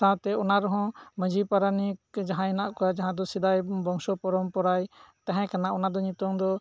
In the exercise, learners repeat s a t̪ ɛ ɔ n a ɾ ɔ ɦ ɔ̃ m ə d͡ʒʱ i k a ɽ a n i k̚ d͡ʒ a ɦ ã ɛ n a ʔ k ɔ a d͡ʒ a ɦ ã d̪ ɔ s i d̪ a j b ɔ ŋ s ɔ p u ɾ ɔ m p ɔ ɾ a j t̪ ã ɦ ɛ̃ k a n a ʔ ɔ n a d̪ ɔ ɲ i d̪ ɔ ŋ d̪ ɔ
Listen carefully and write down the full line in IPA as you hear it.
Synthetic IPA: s a t̪ ɛ ɔ n a ɾ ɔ ɦ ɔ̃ m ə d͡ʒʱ i p a ɾ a n i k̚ d͡ʒ a ɦ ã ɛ n a ʔ k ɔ a d͡ʒ a ɦ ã d̪ ɔ s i d̪ a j b ɔ ŋ s ɔ p ɔ ɾ ɔ m p ɔ ɾ a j t̪ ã ɦ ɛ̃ k a n a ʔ ɔ n a d̪ ɔ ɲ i t̪ ɔ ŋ d̪ ɔ